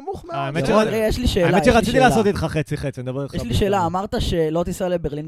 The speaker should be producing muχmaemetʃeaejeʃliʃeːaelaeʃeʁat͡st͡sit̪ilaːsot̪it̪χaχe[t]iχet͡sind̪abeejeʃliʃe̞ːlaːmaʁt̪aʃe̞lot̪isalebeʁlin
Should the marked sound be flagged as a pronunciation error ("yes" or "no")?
yes